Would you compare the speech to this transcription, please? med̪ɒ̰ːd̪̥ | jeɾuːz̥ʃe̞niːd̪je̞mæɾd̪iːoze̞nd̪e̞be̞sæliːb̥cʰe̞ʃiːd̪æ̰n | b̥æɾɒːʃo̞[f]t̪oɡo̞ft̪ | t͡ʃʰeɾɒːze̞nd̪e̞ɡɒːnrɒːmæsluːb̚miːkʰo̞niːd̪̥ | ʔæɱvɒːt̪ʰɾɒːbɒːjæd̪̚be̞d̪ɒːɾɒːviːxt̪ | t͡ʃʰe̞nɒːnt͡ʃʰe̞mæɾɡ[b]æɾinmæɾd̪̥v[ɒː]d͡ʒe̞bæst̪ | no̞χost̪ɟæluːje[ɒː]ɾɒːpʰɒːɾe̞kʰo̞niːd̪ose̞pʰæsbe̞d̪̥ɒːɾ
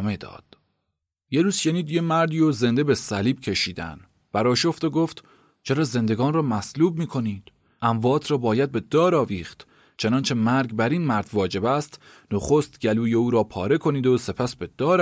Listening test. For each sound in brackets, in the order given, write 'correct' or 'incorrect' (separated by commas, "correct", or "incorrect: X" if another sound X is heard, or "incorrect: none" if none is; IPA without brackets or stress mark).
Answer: correct, correct, correct, incorrect: uː